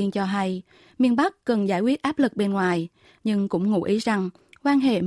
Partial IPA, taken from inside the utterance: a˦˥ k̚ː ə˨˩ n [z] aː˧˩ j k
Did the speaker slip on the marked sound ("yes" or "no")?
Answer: no